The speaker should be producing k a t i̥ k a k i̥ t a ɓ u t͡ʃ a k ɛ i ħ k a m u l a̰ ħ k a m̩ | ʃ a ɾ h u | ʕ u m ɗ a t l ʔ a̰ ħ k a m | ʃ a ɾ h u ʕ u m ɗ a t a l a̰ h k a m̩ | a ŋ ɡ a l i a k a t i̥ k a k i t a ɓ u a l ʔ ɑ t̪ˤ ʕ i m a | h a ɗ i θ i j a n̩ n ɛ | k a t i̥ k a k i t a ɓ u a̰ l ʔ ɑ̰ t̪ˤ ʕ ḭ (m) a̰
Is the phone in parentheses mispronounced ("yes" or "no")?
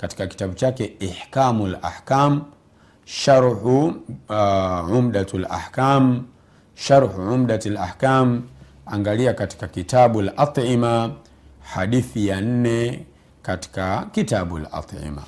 no